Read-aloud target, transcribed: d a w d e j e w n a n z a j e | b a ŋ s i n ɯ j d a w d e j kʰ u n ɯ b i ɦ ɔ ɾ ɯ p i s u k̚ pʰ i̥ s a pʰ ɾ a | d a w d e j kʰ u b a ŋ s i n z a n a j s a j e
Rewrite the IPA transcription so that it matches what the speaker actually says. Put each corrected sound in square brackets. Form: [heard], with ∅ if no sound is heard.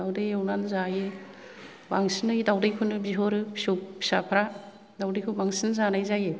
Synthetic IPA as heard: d a w d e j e w n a n z a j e | b a ŋ s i n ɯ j d a w d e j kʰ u n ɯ b i ɦ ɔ ɾ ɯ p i s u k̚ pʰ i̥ s a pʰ ɾ a | d a w d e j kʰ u b a ŋ s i n z a n a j [z] a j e